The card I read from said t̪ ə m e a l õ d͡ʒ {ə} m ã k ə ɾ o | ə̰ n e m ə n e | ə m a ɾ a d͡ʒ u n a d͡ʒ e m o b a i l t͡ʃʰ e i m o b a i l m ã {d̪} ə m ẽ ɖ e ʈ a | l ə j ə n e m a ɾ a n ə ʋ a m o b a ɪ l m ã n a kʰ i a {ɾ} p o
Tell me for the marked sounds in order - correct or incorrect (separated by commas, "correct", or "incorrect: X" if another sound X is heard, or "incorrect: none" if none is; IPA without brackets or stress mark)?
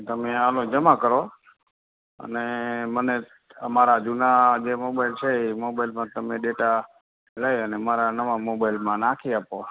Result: correct, incorrect: t̪, incorrect: none